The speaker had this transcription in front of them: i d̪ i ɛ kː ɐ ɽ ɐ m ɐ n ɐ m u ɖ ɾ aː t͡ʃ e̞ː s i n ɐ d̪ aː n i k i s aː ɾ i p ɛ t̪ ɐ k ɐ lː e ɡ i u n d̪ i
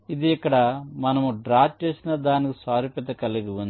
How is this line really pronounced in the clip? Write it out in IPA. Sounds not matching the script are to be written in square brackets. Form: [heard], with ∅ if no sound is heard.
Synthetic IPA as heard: i d̪ i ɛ kː ɐ ɽ ɐ m ɐ n ɐ m u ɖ ɾ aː t͡ʃ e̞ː s i n ɐ d̪ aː n i k i s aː ɾ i p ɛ t̪ ɐ k ɐ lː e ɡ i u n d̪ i

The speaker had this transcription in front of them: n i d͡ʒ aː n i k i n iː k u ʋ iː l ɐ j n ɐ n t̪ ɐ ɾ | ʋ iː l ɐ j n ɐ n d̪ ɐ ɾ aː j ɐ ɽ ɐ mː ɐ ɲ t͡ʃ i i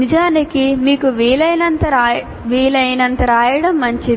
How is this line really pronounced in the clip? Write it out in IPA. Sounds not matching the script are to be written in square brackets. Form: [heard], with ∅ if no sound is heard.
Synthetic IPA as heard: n i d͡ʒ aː n i k i [m] iː k u ʋ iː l ɐ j n ɐ n t̪ ɐ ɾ | ʋ iː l ɐ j n ɐ n [t̪] ɐ ɾ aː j ɐ ɽ ɐ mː ɐ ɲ t͡ʃ i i

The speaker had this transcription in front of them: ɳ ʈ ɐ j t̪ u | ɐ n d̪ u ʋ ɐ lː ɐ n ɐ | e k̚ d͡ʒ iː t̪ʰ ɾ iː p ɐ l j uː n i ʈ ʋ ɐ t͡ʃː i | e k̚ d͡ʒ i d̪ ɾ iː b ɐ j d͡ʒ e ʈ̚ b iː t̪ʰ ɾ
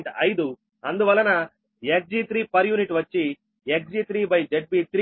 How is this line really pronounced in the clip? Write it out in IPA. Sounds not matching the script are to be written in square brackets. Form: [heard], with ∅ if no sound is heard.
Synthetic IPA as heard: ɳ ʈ ɐ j [d̪] u | ɐ n d̪ u ʋ ɐ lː ɐ n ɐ | e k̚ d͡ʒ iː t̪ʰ ɾ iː p ɐ [ɾ] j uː n i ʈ ʋ ɐ t͡ʃː i | e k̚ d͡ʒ i [t̪] ɾ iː b ɐ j d͡ʒ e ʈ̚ b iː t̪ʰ ɾ

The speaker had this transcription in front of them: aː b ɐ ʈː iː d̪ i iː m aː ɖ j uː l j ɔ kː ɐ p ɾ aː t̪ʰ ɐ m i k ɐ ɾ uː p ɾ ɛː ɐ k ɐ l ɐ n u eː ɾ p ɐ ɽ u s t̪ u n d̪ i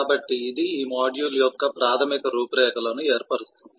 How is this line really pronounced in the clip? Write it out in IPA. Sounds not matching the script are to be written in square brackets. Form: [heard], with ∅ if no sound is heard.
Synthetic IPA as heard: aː b ɐ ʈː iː d̪ i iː m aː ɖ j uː l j ɔ kː ɐ p ɾ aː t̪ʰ ɐ m i k ɐ ɾ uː p ɾ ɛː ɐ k ɐ l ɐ n u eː ɾ p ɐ ɽ u s t̪ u n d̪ i

